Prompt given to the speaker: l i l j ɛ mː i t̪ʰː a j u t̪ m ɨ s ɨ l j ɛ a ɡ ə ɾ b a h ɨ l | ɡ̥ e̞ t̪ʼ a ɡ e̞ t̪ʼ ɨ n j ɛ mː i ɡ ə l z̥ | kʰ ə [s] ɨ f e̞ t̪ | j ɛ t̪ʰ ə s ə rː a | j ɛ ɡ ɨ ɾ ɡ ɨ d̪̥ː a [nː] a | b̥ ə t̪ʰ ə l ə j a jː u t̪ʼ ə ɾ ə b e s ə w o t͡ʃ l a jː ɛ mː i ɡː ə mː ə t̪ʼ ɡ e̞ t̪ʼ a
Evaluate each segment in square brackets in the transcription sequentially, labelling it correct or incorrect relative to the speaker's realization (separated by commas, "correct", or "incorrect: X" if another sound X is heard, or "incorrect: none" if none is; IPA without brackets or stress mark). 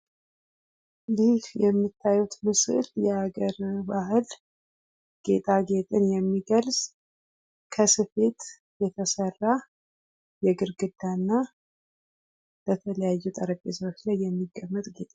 correct, correct